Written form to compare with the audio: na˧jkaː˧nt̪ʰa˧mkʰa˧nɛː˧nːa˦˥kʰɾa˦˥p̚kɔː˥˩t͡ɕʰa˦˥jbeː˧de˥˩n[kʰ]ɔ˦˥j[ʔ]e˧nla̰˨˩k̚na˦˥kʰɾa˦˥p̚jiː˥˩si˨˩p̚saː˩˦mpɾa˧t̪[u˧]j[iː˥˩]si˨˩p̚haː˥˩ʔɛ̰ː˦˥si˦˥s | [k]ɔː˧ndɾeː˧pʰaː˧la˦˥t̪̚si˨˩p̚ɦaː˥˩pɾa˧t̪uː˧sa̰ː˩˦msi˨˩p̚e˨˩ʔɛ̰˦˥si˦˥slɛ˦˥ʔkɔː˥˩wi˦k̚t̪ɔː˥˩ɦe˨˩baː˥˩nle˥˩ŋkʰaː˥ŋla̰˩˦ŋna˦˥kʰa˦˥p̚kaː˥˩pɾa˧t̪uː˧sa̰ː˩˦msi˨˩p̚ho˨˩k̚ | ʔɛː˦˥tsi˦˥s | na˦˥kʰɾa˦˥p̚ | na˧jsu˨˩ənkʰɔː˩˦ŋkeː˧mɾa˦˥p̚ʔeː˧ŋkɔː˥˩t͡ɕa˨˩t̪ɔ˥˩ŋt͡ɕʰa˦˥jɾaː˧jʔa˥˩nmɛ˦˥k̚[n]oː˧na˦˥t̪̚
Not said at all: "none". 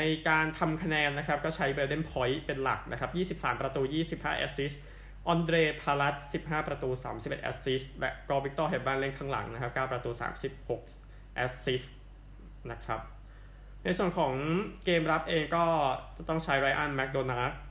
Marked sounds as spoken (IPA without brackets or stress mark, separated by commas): pʰ, p, uː˧, iː˥˩, ʔ, d